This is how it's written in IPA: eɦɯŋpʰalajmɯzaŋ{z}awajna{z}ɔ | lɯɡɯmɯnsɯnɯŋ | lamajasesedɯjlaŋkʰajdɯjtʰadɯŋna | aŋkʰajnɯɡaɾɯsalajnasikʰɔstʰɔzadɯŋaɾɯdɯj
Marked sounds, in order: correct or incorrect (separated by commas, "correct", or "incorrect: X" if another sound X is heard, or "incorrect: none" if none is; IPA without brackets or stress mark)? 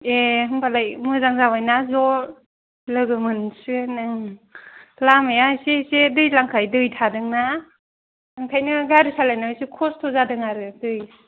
correct, correct